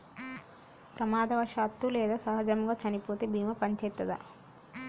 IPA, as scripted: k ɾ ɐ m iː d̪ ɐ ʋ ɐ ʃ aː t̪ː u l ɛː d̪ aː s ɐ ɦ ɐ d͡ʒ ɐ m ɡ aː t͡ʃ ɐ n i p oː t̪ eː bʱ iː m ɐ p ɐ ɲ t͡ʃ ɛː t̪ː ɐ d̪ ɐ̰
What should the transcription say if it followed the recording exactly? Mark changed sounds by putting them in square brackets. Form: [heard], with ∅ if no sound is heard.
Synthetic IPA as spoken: [p] ɾ ɐ m [aː] d̪ ɐ ʋ ɐ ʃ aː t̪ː u l ɛː d̪ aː s ɐ ɦ ɐ d͡ʒ ɐ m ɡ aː t͡ʃ ɐ n i p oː t̪ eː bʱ iː m ɐ p ɐ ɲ t͡ʃ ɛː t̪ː ɐ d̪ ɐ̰